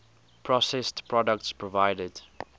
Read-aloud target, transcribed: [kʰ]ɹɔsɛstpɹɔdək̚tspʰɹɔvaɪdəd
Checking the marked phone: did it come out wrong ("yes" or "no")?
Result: yes